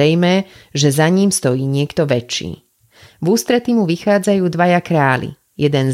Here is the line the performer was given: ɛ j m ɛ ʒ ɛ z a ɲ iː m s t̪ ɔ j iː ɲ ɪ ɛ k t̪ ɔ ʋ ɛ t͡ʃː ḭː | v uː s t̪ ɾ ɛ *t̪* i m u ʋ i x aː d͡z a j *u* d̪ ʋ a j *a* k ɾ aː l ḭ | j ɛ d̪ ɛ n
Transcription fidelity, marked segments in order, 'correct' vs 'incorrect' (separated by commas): correct, incorrect, correct